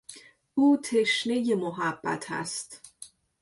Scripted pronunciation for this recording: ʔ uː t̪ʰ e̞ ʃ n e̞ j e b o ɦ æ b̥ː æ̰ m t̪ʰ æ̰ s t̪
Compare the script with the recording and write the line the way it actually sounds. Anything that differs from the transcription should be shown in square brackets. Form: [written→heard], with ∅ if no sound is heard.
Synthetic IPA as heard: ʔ uː t̪ʰ e̞ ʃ n e̞ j e [b→m] o ɦ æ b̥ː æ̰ [m→∅] t̪ʰ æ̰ s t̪